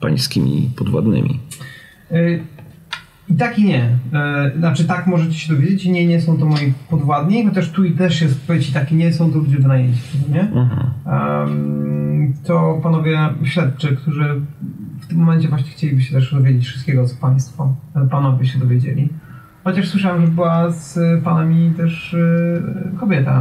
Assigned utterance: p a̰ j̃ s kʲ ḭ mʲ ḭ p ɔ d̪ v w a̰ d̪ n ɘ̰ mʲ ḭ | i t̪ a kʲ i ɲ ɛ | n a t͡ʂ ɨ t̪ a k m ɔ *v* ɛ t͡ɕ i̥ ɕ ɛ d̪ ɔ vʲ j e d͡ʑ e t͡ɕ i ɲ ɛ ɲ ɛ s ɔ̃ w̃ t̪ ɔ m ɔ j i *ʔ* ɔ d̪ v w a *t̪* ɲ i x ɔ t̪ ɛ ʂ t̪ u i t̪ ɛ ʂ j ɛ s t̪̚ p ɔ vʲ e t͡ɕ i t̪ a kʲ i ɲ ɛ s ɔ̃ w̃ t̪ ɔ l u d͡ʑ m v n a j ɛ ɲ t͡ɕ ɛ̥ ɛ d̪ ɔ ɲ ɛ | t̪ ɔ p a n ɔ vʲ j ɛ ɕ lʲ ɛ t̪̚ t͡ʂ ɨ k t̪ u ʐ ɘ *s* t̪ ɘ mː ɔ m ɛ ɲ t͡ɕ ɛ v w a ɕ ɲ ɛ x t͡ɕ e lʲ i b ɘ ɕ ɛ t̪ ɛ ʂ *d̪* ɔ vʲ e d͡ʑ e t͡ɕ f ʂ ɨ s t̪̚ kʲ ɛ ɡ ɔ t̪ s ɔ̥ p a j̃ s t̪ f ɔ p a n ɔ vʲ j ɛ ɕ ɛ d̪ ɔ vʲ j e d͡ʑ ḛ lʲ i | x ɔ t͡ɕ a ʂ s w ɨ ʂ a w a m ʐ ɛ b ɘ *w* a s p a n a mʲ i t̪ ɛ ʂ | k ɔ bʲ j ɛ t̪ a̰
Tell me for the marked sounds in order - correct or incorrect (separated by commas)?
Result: incorrect, incorrect, incorrect, incorrect, correct, correct